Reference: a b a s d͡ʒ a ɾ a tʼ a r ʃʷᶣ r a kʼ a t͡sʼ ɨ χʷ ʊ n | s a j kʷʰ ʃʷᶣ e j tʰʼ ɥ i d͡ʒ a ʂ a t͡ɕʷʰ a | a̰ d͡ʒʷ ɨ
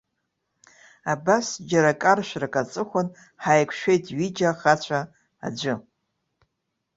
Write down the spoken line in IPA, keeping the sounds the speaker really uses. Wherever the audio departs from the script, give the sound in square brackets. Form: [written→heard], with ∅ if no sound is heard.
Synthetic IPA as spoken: a b a s d͡ʒ a ɾ a [tʼ→kʼ] a r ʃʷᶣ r a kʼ a t͡sʼ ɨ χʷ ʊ n | [s→ħ] a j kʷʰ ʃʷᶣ e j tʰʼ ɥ i d͡ʒ a [ʂ→χ] a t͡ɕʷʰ a | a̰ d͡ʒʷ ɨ